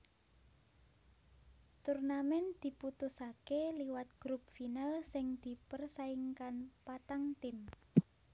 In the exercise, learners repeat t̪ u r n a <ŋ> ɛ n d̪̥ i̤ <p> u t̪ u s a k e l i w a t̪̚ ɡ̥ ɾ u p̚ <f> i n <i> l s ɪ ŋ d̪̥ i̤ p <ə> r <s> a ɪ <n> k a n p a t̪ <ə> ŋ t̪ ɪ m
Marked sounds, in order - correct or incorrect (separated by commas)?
incorrect, correct, correct, incorrect, correct, correct, incorrect, incorrect